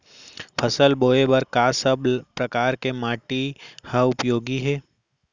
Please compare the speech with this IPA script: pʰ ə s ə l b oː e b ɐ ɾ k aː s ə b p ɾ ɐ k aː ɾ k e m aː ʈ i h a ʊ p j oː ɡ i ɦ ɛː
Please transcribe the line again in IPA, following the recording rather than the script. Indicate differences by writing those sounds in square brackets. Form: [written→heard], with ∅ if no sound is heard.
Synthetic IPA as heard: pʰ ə s ə l b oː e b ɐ ɾ k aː s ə b p ɾ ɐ k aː ɾ k e m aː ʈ i h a ʊ p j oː ɡ i ɦ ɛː